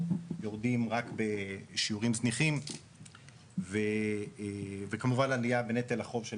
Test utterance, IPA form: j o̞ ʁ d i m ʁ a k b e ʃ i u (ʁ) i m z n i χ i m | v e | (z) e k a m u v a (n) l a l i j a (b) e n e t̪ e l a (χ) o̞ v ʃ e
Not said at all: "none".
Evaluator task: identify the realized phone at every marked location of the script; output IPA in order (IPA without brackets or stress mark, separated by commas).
ʁ, v, n, b, χ